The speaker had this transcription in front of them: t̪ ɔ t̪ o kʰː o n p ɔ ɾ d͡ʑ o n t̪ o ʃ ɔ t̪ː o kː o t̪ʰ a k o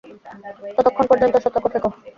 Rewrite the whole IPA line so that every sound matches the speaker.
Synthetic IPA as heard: t̪ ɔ t̪ o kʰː o n p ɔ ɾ d͡ʑ o n t̪ o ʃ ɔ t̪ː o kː o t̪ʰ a k o